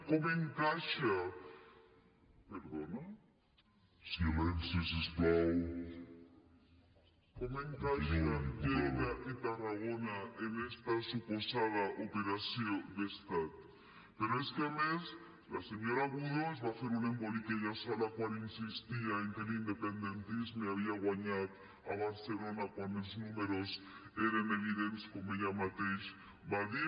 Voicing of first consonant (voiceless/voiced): voiceless